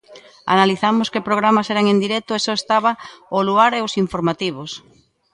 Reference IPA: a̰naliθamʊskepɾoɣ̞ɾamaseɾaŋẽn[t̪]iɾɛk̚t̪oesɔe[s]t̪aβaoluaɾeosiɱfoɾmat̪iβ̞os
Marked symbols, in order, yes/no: no, yes

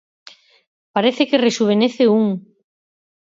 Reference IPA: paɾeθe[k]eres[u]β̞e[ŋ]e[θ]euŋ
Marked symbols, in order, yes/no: yes, yes, no, yes

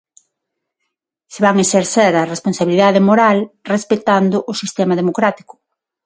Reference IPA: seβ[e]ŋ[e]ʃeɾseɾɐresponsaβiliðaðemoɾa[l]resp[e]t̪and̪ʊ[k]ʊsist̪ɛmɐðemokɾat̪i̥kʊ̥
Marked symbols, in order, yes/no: no, yes, yes, yes, no

